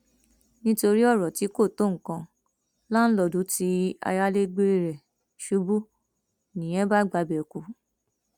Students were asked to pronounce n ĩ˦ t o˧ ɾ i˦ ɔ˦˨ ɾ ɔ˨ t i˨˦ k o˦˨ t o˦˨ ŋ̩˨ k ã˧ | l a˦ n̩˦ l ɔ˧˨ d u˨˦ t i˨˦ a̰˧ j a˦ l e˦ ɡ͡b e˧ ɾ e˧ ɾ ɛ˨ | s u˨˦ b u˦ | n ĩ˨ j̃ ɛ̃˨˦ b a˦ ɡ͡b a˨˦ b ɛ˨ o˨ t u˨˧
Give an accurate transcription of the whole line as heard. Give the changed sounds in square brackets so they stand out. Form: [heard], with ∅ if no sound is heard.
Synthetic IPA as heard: n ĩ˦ t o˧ ɾ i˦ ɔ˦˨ ɾ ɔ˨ t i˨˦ k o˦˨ t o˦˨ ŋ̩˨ k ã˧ | l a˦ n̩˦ l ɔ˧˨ d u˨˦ t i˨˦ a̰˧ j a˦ l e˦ ɡ͡b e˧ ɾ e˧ ɾ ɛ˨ | [ʃ] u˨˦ b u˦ | n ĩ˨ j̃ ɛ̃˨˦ b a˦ ɡ͡b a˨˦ b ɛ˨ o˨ [k] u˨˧